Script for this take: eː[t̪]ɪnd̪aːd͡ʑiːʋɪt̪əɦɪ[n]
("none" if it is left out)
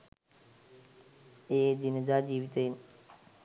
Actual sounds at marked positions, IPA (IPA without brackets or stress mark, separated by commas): d̪, n